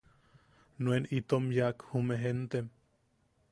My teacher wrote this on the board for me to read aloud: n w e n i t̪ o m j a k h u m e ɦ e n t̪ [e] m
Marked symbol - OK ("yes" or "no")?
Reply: yes